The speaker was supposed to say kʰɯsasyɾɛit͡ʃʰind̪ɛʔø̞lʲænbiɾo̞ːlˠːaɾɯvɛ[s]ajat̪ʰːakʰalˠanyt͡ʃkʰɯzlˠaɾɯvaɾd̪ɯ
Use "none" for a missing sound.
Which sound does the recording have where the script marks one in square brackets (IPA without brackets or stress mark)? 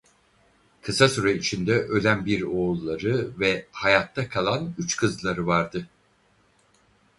h